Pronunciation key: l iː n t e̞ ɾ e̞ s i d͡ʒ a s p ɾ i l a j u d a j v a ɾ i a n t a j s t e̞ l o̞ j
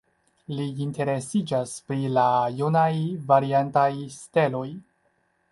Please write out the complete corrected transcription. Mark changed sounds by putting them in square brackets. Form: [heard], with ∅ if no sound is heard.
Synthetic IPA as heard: l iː n t e̞ ɾ e̞ s i d͡ʒ a s p ɾ i l a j u [n] a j v a ɾ i a n t a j s t e̞ l o̞ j